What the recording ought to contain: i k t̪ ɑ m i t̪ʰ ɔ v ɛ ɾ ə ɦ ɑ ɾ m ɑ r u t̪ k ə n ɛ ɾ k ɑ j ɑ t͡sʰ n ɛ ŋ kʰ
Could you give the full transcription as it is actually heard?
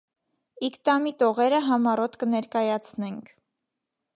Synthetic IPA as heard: i k t̪ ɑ m i t̪ ɔ ʁ ɛ ɾ ə ɦ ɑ m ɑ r ɔ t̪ k ə n ɛ ɾ k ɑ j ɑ t͡sʰ n ɛ ŋ kʰ